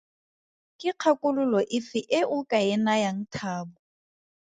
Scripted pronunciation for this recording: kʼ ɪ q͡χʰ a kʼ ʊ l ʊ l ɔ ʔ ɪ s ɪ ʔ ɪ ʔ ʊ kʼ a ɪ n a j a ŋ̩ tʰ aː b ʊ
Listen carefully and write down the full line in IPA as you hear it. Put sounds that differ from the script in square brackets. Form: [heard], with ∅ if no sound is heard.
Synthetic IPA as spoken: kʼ ɪ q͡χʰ a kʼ ʊ l ʊ l ɔ ʔ ɪ [f] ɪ ʔ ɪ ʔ ʊ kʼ a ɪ n a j a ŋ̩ tʰ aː b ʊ